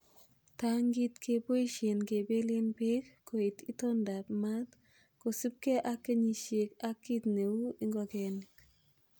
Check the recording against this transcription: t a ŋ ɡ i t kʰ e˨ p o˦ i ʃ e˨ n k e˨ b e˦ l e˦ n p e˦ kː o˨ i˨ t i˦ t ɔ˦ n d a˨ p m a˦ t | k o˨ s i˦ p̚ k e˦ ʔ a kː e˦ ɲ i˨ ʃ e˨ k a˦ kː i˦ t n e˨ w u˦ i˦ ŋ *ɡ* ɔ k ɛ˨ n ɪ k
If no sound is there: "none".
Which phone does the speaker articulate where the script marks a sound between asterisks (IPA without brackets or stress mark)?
ɡ